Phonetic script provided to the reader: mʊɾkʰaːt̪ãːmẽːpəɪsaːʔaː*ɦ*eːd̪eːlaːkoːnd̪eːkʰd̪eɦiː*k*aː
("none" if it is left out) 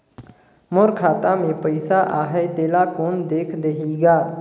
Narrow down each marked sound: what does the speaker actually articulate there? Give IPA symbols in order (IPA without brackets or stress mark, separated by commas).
ɦ, ɡ